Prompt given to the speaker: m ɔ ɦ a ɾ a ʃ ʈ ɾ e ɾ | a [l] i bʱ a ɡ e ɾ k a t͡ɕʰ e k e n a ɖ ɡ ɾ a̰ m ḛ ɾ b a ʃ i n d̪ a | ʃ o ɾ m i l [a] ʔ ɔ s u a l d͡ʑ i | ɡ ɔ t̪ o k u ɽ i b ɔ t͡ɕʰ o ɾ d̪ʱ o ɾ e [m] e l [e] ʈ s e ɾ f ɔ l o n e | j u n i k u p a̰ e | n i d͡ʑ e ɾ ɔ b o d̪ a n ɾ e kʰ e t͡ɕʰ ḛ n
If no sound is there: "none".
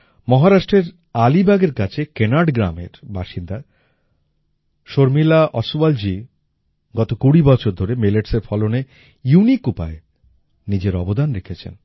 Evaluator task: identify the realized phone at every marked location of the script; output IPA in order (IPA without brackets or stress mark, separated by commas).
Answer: l, a, m, e